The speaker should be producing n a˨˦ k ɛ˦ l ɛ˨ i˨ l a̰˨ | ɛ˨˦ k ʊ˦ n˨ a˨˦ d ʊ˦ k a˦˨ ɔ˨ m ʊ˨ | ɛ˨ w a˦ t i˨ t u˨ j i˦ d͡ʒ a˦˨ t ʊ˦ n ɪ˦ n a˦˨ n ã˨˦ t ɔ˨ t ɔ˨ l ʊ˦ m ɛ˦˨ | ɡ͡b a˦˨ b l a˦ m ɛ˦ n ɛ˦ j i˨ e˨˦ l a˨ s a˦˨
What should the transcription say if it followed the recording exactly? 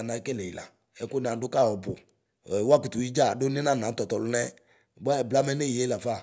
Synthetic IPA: n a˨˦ k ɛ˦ l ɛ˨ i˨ l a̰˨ | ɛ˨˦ k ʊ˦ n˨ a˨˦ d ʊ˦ k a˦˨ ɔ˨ b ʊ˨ | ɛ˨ w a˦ k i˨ t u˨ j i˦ d͡ʒ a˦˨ d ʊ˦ n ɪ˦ n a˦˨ n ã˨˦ t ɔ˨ t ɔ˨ l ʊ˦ n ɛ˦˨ | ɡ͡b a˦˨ b l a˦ m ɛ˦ n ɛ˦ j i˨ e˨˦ l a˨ f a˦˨